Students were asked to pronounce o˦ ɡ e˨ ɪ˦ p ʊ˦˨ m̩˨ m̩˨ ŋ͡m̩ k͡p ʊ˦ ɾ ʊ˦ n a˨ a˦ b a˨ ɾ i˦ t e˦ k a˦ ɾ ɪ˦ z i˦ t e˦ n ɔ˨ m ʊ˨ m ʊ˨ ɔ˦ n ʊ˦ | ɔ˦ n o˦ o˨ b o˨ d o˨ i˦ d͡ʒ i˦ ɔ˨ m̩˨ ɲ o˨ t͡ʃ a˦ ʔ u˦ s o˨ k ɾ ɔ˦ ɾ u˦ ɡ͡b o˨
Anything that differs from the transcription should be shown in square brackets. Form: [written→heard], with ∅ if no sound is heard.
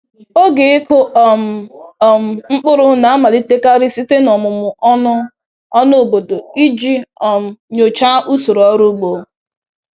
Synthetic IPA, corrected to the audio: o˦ ɡ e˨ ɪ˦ [p→k] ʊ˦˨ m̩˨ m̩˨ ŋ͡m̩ k͡p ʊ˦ ɾ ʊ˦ n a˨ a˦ [b→m] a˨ [ɾ→l] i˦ t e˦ k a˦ ɾ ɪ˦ [z→s] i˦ t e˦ n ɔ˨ m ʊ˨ m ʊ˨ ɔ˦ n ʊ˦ | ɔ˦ n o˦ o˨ b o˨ d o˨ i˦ d͡ʒ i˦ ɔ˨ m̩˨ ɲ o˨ t͡ʃ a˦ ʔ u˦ s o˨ [k→∅] ɾ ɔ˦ ɾ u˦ ɡ͡b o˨